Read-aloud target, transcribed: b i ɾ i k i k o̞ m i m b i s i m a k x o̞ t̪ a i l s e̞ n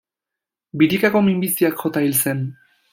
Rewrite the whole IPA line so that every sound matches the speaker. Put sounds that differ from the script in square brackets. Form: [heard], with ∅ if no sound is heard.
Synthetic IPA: b i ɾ i k [a] k o̞ m i m b i s i [∅] a k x o̞ t̪ a i l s e̞ n